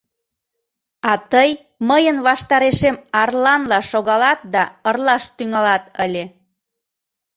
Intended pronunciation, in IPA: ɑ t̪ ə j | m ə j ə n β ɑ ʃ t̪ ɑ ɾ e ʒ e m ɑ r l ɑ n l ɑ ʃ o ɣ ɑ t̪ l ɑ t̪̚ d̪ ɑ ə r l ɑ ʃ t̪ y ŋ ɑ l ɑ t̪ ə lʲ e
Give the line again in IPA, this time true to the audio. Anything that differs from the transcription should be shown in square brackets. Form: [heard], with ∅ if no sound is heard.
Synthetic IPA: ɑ t̪ ə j | m ə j ə n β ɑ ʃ t̪ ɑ ɾ e [ʃ] e m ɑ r l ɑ n l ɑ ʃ o ɣ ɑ [∅] l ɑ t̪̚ d̪ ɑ ə r l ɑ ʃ t̪ y ŋ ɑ l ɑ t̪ ə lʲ e